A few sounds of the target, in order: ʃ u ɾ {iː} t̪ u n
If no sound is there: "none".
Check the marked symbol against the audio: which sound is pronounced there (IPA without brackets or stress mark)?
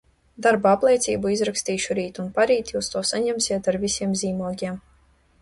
iː